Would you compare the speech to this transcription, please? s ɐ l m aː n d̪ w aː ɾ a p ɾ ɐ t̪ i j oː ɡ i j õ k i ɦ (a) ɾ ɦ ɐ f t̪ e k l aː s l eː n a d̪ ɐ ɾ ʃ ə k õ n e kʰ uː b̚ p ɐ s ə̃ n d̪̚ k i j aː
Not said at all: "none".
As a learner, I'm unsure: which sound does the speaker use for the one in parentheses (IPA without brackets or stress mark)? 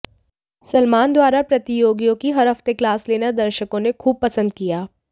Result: ɐ